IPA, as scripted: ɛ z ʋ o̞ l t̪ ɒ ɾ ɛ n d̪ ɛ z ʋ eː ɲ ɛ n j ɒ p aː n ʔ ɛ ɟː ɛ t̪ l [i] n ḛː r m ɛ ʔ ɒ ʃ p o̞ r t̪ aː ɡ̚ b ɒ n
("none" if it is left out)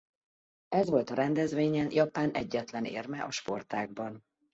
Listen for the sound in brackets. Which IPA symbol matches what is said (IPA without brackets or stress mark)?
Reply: ɛ